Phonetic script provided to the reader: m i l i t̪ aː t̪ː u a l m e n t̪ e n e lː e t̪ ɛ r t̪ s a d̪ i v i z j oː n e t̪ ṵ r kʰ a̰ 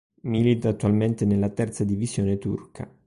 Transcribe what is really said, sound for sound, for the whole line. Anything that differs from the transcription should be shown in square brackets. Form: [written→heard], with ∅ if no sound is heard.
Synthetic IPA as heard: m i l i t̪ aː t̪ː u a l m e n t̪ e n e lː [e→a] t̪ ɛ r t̪ s a d̪ i v i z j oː n e t̪ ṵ r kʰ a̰